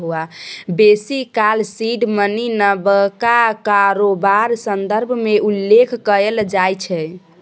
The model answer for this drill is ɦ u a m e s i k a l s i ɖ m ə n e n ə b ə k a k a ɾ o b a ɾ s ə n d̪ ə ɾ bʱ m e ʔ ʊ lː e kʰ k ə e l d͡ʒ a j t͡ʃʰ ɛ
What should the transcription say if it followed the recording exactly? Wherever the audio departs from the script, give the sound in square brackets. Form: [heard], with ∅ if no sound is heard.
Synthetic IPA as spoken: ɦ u a [b] e s i k a l s i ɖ m ə n [i] n ə b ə k a k a ɾ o b a ɾ s ə n d̪ ə ɾ bʱ m e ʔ [u] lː e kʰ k ə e l d͡ʒ a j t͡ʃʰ ɛ